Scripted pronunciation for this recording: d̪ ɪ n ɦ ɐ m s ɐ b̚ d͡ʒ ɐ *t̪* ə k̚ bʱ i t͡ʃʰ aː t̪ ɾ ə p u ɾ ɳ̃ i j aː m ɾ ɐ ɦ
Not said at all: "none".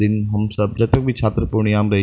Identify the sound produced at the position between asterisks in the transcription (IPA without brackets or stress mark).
t̪